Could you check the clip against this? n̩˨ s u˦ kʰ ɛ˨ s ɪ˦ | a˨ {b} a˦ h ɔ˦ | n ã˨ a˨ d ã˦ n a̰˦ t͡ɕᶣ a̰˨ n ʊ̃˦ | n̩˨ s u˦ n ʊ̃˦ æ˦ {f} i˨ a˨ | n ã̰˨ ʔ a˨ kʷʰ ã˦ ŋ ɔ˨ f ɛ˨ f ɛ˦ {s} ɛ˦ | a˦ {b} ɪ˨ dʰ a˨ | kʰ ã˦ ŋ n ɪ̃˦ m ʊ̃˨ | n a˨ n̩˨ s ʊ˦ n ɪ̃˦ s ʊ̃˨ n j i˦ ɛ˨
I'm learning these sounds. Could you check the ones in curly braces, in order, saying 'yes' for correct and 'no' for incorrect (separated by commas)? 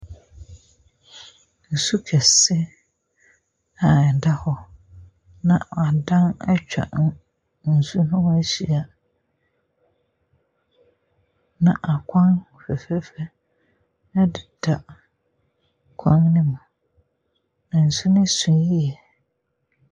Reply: no, no, no, no